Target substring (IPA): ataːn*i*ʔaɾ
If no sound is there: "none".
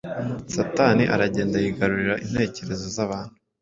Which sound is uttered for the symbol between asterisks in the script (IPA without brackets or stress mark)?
i